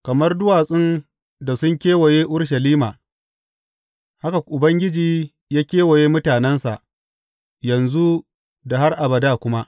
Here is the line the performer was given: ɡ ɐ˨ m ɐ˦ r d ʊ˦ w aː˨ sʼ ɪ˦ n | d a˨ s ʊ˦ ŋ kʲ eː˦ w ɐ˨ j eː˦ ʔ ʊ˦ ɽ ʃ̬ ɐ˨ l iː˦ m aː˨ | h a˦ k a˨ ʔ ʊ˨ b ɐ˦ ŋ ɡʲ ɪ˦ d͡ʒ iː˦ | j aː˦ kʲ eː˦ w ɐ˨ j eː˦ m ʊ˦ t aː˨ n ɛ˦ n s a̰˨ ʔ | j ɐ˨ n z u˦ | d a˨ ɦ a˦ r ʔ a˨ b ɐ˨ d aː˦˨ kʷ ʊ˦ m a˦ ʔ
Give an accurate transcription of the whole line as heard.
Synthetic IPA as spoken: k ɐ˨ m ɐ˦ r d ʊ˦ w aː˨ sʼ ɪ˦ n | d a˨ s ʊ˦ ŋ kʲ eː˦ w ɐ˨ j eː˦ ʔ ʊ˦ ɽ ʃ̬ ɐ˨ l iː˦ m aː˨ | h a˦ k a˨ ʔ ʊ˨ b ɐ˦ ŋ ɡʲ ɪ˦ d͡ʒ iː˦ | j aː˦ kʲ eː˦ w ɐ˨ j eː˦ m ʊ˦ t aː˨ n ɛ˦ n s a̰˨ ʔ | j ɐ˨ n z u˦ | d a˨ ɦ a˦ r ʔ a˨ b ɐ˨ d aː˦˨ kʷ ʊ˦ m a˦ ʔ